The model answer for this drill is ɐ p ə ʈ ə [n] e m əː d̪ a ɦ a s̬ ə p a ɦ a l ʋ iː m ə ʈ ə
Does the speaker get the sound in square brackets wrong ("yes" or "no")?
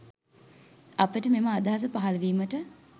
yes